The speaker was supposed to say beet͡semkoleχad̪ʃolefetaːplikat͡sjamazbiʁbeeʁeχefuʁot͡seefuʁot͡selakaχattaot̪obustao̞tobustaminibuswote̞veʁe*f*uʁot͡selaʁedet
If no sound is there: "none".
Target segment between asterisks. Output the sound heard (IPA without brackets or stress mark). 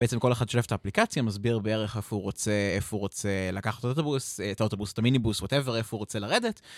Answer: f